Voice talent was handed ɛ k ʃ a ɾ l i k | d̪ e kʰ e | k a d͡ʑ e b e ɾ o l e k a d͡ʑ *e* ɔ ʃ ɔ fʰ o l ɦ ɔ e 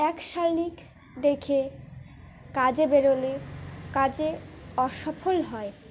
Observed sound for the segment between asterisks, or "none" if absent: e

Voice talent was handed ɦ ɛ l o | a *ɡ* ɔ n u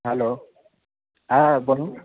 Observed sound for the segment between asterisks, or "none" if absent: b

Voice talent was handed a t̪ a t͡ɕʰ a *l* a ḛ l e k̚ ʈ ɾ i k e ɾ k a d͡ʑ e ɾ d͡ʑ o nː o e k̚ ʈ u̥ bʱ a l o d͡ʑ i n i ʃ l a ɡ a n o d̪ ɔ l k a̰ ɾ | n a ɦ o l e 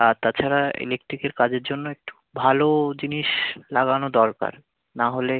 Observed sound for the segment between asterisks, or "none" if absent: ɾ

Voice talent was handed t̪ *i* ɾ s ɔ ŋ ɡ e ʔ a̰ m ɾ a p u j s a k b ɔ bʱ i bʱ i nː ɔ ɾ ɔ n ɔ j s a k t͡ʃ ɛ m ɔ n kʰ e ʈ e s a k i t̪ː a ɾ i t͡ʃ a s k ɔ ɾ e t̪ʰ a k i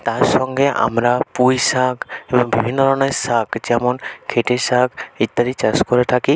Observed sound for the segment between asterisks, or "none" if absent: a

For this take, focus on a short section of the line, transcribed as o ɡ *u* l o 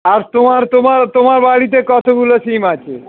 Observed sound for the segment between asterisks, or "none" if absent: u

